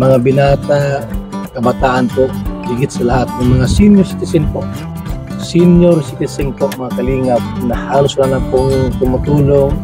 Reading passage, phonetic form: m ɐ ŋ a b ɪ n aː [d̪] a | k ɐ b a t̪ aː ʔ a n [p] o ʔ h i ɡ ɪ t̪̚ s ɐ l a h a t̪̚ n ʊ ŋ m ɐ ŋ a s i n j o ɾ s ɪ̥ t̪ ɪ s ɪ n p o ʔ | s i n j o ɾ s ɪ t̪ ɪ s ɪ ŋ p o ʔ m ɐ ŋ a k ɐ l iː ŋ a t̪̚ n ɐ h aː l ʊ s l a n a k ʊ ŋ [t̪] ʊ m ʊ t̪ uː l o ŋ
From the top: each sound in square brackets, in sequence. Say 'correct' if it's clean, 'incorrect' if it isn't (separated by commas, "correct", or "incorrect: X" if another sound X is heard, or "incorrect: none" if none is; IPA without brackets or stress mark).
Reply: incorrect: t̪, correct, correct